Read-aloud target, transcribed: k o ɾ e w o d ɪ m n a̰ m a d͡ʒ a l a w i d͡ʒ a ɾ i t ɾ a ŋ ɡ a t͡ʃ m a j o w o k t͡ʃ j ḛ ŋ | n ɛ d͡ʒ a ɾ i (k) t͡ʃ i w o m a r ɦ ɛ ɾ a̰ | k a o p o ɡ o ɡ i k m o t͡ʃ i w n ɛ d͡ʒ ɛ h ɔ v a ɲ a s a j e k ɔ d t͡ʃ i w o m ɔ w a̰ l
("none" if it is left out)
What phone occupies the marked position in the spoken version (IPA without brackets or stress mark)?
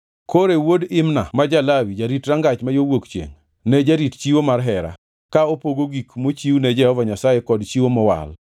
t